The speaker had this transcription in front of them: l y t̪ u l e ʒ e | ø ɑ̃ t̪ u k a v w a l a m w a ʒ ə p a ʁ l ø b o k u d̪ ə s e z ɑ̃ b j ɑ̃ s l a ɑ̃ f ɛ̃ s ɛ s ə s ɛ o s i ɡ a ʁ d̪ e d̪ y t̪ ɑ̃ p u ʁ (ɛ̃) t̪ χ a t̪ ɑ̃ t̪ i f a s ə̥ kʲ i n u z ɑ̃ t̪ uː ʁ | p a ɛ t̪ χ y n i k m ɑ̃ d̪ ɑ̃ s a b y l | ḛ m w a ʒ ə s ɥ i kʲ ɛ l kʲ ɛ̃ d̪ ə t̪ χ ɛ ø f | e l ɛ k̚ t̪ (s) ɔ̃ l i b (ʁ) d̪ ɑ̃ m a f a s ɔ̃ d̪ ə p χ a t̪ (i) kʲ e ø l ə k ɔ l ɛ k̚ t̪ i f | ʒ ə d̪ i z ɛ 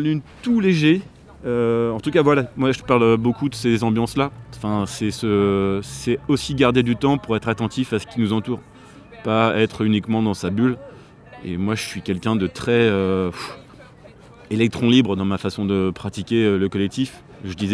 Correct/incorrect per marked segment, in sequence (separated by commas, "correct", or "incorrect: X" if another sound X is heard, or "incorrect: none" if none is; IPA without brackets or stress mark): incorrect: ɛ, incorrect: χ, correct, correct